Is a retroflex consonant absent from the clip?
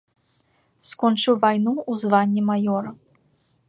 no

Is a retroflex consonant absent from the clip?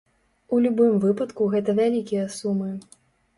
yes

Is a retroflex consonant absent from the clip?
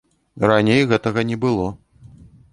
yes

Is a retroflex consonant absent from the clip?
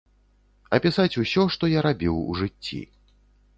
no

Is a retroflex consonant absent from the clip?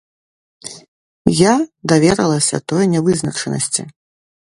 no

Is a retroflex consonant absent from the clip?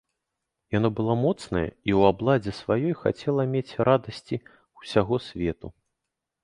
yes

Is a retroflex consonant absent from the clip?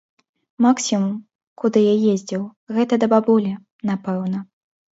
yes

